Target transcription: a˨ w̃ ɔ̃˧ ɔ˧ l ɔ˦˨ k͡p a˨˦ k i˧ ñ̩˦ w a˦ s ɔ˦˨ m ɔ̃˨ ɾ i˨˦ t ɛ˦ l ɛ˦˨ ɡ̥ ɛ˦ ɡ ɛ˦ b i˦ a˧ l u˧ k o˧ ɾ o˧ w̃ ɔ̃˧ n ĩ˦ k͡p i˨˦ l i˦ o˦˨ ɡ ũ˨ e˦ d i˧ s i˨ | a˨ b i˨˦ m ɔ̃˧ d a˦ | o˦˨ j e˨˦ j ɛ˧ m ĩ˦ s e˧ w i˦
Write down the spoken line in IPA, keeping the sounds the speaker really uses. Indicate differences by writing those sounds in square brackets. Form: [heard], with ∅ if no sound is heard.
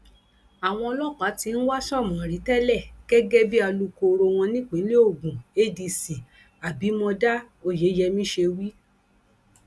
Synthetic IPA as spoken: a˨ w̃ ɔ̃˧ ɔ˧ l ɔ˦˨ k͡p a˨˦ [t] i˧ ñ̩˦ w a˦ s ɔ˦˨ m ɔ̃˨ ɾ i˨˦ t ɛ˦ l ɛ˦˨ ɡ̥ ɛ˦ ɡ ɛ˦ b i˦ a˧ l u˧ k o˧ ɾ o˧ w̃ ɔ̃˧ n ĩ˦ k͡p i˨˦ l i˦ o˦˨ ɡ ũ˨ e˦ d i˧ s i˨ | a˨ b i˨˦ m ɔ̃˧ d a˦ | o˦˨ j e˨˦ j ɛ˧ m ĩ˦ [ʃ] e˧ w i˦